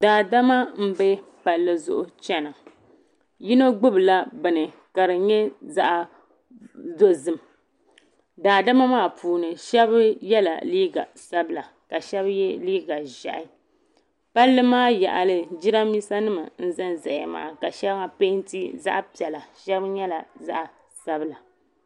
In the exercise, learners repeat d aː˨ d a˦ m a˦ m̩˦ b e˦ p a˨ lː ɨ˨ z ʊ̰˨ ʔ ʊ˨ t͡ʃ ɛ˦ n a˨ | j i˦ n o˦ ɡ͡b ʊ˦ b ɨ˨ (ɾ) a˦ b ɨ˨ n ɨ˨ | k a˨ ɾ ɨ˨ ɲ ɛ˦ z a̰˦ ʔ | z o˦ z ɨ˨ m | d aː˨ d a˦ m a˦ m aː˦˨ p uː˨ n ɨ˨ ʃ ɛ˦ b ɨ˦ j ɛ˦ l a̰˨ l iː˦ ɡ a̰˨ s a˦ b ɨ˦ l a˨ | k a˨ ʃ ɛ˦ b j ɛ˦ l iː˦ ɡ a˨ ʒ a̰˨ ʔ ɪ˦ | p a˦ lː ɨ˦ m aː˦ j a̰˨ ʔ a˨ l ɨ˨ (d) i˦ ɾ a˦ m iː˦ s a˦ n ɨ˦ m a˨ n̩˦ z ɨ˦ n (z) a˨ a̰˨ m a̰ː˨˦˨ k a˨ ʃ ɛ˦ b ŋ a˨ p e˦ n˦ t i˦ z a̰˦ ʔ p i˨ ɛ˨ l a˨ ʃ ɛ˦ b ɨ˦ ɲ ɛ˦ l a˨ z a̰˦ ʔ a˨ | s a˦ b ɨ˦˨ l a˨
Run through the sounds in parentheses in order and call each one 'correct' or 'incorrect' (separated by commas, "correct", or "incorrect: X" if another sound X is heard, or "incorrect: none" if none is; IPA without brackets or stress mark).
incorrect: l, incorrect: d͡ʒ, correct